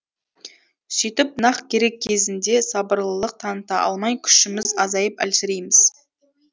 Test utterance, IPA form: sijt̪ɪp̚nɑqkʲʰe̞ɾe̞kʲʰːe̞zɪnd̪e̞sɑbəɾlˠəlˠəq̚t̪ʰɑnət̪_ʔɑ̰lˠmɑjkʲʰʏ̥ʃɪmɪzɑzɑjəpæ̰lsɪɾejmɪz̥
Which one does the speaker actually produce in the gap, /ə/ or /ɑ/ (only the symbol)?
ɑ